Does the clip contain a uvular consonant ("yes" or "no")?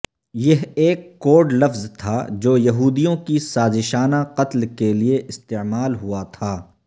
yes